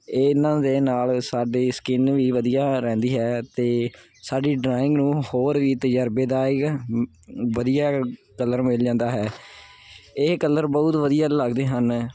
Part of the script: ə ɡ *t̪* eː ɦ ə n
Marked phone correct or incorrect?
incorrect